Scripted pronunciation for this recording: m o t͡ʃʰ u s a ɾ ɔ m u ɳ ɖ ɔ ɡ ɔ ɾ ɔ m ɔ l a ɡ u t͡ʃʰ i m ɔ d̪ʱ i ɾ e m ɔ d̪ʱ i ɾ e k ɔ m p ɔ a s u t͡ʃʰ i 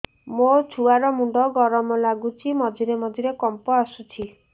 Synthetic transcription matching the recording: m o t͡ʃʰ u a ɾ ɔ m u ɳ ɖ ɔ ɡ ɔ ɾ ɔ m ɔ l a ɡ u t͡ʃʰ i m ɔ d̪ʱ i ɾ e m ɔ d̪ʱ i ɾ e k ɔ m p ɔ a s u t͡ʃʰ i